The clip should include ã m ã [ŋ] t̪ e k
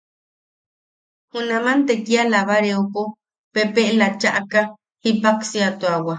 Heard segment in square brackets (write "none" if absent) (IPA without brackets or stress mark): n